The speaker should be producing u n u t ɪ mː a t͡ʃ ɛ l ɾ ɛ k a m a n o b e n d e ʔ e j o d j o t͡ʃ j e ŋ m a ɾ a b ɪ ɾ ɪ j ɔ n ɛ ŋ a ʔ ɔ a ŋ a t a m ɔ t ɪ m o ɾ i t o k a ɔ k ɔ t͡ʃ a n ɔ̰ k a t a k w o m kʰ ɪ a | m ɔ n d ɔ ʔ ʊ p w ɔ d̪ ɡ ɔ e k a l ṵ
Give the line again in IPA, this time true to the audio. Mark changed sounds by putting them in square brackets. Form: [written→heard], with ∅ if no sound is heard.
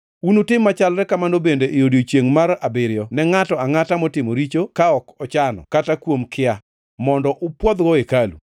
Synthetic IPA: u n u t ɪ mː a t͡ʃ [ɛ→a] l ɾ ɛ k a m a n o b e n d e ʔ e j o d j o t͡ʃ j e ŋ m a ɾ a b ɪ ɾ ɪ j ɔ n ɛ ŋ a [ʔ→t] ɔ a ŋ a t a m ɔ t ɪ m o ɾ i [t→t͡ʃ] o k a ɔ k ɔ t͡ʃ a n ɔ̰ k a t a k w o m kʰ ɪ a | m ɔ n d ɔ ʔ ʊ p w ɔ d̪ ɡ ɔ e k a l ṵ